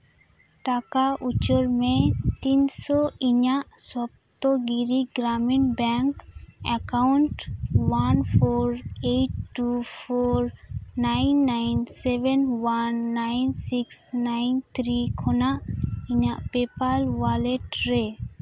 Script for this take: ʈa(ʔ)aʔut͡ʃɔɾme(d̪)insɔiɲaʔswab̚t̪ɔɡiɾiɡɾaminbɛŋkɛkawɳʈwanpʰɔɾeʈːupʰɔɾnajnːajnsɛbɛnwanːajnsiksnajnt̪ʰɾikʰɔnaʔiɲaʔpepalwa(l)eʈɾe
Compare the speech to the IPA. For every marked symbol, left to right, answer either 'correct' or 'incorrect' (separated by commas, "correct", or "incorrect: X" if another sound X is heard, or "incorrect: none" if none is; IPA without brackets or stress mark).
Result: incorrect: k, incorrect: t̪, correct